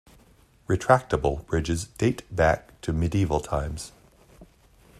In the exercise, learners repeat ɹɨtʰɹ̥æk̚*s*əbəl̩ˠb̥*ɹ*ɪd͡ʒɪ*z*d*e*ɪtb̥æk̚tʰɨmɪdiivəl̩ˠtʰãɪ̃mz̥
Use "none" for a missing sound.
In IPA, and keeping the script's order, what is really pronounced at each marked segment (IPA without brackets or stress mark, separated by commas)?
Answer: t, ɹ, z, e